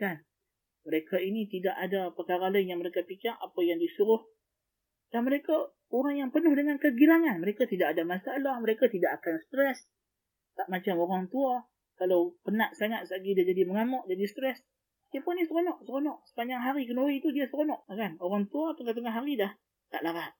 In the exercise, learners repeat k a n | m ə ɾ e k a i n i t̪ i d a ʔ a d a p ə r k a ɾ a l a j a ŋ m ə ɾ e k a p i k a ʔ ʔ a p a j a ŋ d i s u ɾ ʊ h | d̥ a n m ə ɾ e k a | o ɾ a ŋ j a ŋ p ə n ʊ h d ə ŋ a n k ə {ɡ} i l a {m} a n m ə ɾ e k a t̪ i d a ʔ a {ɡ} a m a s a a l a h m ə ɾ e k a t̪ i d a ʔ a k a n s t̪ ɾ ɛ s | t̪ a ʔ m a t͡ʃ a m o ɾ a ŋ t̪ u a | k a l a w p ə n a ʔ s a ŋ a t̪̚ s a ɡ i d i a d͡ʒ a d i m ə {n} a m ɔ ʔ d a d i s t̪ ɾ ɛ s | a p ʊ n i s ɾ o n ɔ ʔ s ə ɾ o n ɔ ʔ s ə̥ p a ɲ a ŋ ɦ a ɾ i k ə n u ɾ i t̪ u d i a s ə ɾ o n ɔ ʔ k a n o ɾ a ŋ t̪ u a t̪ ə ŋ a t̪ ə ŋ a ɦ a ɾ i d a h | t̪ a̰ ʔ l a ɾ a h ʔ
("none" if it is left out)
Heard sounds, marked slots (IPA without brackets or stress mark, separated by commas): ɡ, ŋ, d, ŋ